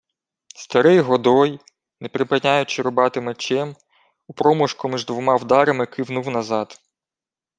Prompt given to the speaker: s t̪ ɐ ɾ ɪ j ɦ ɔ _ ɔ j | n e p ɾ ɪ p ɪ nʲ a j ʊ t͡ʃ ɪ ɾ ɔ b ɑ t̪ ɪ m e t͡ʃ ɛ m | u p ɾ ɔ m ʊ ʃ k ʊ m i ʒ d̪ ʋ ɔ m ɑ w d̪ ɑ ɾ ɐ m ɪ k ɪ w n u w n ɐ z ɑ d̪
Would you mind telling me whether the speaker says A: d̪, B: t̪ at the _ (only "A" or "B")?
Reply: A